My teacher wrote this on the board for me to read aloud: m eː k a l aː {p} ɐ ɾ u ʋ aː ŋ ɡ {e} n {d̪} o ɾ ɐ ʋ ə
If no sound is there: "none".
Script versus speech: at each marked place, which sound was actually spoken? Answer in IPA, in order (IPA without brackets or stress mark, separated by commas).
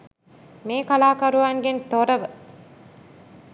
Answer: k, e, t̪